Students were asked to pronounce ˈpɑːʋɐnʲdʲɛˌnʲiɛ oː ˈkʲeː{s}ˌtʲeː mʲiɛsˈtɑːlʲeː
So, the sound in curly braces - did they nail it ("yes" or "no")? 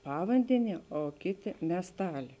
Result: no